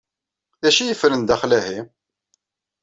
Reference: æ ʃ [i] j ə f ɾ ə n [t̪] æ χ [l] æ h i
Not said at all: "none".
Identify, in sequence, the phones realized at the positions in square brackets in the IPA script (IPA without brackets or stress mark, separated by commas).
i, d̪, l